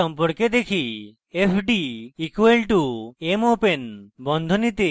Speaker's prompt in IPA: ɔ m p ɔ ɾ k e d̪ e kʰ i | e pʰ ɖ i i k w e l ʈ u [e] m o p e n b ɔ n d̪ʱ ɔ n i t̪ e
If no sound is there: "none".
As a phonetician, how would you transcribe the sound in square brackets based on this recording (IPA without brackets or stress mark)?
e